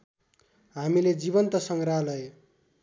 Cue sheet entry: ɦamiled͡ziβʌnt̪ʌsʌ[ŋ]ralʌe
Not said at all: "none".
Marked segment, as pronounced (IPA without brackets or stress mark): ŋ